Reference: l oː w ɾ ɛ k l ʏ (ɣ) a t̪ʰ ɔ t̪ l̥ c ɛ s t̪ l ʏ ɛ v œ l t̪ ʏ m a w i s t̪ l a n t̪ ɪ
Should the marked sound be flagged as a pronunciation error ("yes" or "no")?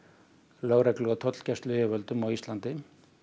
no